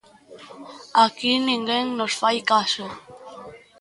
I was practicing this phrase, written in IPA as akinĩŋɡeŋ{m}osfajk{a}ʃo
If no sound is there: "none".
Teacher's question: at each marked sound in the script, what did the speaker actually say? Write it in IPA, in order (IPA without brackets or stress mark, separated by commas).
n, a